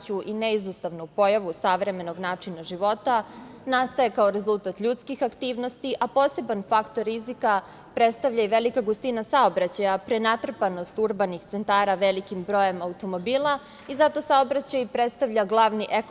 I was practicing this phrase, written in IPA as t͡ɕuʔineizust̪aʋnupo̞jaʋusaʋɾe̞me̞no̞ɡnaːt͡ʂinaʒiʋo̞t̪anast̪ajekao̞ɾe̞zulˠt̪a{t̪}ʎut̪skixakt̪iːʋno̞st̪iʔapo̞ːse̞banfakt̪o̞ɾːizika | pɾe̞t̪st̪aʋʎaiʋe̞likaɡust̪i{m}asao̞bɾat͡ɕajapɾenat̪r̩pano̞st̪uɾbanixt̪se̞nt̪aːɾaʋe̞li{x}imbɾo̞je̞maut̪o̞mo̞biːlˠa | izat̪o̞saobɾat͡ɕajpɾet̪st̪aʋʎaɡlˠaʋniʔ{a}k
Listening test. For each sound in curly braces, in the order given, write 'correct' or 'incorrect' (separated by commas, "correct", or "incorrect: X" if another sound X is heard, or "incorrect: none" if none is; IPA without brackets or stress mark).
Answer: correct, incorrect: n, incorrect: k, incorrect: e